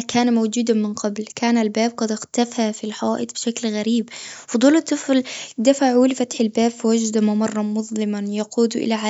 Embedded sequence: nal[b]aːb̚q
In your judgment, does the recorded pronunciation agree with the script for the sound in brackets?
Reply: yes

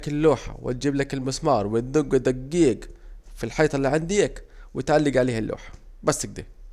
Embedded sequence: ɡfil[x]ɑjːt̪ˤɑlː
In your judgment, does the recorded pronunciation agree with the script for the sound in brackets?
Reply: no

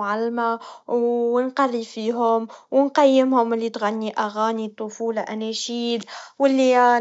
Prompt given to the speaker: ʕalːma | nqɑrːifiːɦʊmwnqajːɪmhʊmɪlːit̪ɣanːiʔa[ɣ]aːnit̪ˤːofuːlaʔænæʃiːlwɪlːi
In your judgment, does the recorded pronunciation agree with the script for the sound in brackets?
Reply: yes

